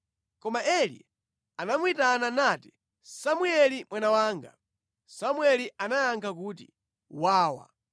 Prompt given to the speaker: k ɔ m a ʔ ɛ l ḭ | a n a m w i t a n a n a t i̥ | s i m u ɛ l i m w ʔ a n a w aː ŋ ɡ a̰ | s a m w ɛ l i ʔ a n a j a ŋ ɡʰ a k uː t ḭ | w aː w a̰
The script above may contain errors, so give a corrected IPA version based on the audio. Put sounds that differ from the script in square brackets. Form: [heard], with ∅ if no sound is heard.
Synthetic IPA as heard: k ɔ m a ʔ ɛ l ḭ | a n a m w i t a n a n a t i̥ | s [a] m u ɛ l i m w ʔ a n a w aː ŋ ɡ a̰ | s a m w ɛ l i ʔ a n a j a ŋ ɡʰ a k uː t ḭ | w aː w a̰